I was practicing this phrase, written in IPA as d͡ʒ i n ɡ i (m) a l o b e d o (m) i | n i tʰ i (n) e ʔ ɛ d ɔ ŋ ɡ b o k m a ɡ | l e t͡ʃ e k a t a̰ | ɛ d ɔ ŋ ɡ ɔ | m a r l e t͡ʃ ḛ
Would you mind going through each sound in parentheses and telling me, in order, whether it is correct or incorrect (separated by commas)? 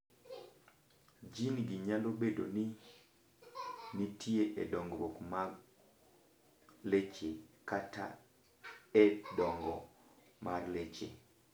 incorrect, incorrect, incorrect